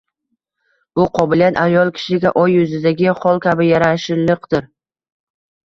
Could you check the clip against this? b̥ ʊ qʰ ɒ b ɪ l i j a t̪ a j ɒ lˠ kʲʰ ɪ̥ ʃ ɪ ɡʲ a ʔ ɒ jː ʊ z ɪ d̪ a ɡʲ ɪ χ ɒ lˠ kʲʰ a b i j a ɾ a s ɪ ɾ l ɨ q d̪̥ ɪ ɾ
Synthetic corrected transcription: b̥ ʊ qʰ ɒ b ɪ l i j a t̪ a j ɒ lˠ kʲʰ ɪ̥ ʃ ɪ ɡʲ a ʔ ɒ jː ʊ z ɪ d̪ a ɡʲ ɪ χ ɒ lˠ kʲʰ a b ɪ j a ɾ a ʃ ɪ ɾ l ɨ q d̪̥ ɪ ɾ